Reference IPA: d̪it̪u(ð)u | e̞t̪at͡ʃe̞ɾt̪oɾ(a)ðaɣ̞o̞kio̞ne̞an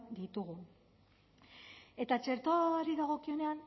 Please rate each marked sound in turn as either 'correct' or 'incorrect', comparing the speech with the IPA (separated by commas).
incorrect, incorrect